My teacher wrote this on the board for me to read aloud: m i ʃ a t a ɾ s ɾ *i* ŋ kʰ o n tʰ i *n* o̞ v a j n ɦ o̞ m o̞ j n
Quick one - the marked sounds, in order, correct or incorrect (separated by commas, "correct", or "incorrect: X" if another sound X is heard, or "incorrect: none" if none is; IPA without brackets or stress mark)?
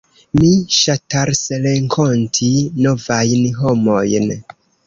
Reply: incorrect: e, correct